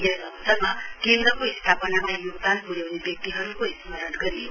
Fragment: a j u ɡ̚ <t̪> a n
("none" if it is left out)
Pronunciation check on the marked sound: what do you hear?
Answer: d̪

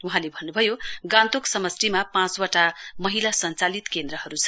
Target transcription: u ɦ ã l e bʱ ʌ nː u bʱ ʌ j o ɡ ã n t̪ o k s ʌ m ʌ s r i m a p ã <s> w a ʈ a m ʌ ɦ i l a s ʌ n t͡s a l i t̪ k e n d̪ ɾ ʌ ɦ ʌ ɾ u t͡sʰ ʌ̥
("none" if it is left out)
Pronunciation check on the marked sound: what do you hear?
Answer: t͡s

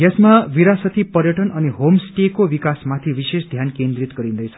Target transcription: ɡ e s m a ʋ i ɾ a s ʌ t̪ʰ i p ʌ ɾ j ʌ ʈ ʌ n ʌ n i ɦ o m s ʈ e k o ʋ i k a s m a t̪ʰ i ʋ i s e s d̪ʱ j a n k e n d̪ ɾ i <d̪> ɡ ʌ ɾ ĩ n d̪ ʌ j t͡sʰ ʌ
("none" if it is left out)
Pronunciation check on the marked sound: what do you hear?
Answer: t̪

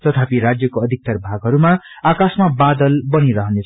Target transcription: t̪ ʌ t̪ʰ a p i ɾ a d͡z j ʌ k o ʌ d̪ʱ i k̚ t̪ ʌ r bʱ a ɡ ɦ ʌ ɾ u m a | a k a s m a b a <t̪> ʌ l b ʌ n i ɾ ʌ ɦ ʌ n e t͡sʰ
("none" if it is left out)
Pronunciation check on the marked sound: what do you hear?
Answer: d̪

